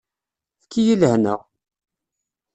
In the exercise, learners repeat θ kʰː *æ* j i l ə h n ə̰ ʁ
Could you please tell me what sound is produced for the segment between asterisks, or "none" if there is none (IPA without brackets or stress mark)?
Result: i